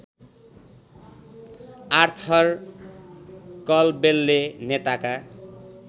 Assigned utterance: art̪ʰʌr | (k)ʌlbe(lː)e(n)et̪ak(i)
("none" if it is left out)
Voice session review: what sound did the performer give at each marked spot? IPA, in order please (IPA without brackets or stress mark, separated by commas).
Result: k, lː, n, a